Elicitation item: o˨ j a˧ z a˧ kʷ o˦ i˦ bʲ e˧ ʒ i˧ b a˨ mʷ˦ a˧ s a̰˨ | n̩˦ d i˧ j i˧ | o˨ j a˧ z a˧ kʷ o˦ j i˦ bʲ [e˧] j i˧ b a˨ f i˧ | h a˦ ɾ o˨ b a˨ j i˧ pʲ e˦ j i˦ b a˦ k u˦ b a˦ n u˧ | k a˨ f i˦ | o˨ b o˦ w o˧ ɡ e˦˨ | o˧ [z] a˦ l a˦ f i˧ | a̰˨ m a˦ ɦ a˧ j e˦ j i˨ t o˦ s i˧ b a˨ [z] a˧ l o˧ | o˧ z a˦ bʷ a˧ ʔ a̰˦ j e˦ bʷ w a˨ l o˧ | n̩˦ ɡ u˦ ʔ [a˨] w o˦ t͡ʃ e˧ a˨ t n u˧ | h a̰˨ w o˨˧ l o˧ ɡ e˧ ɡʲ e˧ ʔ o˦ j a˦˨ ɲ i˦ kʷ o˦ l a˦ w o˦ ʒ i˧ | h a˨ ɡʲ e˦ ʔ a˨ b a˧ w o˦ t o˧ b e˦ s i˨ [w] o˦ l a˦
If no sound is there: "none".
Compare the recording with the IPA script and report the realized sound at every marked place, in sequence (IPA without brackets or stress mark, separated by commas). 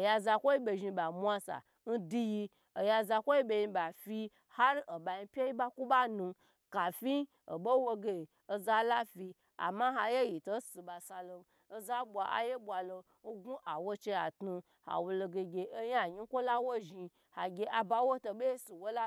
e˧, z, s, a˨, w